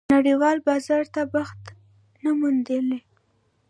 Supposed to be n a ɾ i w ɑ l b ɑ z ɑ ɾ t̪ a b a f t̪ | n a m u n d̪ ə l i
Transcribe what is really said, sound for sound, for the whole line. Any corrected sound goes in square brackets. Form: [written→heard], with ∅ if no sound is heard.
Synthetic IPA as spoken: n a [ɾ→ɽ] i w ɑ l b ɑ z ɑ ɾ t̪ a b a [f→x] t̪ | n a m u n d̪ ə l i